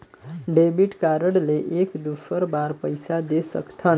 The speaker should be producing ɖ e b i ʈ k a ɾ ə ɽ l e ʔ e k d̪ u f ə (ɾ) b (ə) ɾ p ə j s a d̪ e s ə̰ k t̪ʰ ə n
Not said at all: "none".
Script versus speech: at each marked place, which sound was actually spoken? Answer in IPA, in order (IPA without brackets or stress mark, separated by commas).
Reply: ɾ, a